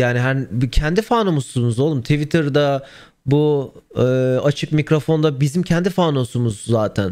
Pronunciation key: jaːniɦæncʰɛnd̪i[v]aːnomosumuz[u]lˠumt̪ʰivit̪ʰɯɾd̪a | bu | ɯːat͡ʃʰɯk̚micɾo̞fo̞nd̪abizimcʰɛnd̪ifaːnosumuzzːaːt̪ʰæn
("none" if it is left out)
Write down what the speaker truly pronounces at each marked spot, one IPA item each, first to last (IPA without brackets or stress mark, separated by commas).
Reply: f, o